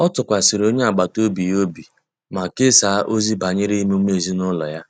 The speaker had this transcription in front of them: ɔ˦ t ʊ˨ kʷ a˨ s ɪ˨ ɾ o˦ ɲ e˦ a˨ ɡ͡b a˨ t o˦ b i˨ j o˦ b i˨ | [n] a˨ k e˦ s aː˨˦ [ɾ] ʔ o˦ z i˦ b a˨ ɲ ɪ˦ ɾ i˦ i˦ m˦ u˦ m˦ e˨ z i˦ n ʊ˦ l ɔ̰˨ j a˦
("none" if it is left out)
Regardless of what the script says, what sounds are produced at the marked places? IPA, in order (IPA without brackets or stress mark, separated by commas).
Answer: m, none